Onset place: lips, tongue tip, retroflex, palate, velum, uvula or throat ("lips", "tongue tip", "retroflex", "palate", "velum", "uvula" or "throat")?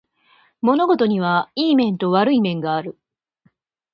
lips